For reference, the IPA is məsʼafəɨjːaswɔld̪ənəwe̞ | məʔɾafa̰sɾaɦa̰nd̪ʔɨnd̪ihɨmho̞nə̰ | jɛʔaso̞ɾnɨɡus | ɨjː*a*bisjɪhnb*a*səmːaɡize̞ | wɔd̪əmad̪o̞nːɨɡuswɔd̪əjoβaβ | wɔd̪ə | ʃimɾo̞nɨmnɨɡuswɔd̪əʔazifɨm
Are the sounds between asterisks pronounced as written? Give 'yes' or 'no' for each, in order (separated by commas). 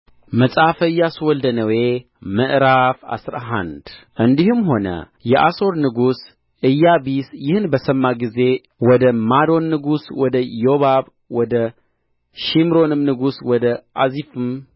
yes, no